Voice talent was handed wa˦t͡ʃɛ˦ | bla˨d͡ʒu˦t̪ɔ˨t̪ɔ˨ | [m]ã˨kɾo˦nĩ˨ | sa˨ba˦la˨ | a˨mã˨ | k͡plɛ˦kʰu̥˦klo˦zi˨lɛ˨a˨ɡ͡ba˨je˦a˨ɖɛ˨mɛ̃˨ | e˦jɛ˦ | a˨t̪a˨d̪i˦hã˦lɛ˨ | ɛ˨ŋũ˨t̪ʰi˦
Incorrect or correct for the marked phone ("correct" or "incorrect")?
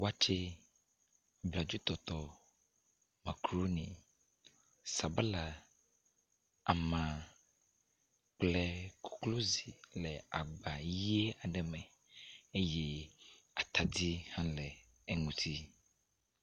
correct